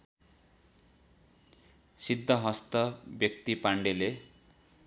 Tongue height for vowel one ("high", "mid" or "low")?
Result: high